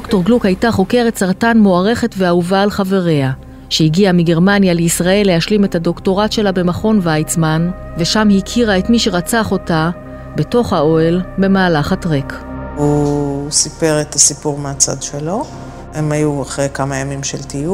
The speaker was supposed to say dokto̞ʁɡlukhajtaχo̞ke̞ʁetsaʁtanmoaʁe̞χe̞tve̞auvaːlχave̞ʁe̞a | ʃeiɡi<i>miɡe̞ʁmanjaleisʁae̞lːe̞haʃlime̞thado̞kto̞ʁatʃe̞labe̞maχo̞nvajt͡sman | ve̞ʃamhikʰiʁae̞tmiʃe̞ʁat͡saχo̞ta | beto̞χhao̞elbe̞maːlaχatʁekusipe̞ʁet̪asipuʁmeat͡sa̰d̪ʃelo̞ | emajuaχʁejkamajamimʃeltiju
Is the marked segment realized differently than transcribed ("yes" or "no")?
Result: yes